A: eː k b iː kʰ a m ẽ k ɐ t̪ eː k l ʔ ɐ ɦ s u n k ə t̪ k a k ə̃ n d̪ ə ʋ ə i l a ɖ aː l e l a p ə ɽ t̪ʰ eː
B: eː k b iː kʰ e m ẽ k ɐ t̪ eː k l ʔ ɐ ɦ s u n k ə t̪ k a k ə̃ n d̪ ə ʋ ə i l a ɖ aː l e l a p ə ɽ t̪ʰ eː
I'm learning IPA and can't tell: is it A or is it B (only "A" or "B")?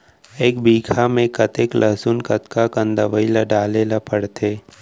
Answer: A